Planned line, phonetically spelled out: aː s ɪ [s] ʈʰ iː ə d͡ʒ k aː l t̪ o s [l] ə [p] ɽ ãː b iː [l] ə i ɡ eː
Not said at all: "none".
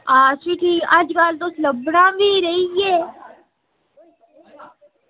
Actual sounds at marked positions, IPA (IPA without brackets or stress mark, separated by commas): none, l, b, ɾ